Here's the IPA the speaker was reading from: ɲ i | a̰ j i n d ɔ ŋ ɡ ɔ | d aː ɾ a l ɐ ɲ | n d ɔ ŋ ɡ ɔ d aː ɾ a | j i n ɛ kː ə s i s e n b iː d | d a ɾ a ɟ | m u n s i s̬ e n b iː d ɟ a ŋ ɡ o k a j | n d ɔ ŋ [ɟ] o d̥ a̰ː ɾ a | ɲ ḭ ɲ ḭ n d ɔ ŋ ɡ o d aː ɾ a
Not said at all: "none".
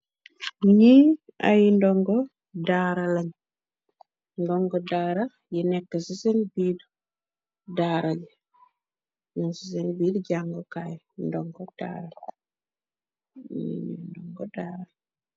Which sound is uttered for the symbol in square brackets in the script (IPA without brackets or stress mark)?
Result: ɡ